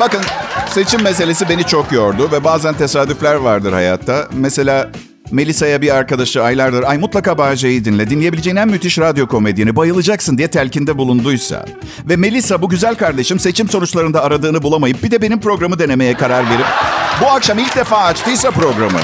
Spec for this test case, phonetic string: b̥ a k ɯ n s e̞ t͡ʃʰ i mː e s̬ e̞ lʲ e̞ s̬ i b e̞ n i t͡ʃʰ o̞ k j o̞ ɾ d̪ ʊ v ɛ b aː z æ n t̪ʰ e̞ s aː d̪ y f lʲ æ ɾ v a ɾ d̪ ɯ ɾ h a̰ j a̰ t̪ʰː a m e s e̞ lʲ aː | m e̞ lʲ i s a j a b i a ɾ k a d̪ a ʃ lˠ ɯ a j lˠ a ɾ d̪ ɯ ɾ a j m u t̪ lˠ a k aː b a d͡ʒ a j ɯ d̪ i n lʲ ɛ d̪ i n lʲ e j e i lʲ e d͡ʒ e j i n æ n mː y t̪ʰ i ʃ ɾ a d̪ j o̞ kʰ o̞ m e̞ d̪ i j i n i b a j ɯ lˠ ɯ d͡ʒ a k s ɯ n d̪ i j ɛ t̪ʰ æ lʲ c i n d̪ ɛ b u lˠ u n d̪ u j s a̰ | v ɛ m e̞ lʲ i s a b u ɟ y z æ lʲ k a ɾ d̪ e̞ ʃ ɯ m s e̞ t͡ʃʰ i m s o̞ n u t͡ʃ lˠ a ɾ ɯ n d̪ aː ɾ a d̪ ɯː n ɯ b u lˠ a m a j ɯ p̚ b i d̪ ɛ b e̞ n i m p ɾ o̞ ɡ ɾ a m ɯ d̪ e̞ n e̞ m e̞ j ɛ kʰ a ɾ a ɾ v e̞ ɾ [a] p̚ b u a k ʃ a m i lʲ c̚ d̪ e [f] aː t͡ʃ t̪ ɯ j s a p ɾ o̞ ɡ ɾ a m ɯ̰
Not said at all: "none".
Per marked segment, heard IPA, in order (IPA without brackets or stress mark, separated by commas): i, f